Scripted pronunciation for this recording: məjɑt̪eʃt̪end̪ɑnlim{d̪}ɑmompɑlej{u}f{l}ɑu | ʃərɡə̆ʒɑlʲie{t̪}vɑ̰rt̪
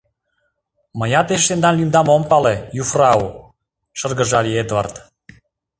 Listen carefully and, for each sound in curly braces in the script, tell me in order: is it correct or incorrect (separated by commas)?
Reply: correct, correct, incorrect, incorrect